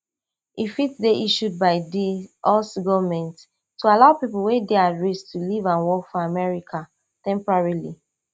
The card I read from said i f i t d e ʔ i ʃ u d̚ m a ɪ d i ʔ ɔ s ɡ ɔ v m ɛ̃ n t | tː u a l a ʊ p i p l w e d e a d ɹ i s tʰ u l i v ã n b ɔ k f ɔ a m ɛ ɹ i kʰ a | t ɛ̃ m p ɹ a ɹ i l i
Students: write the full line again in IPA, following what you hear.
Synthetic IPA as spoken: i f i t d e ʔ i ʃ u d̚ b a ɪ d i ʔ ɔ s ɡ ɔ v m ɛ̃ n t | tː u a l a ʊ p i p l w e d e a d ɹ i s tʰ u l i v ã n w ɔ k f ɔ a m ɛ ɹ i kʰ a | t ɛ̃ m p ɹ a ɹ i l i